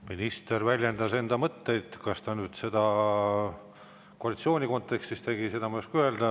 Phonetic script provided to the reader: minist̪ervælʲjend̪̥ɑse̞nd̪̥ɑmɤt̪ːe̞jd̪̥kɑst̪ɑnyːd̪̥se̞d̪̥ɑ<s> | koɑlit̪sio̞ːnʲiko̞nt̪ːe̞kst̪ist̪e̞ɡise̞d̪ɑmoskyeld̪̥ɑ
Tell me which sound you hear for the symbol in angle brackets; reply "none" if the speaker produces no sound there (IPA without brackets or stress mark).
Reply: none